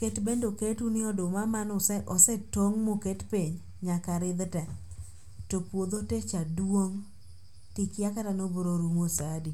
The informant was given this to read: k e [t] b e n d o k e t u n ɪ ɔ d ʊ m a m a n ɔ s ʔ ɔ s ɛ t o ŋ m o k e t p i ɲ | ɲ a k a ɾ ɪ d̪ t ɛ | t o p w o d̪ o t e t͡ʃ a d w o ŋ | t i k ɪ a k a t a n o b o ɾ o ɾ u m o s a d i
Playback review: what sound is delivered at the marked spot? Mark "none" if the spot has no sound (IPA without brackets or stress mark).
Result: t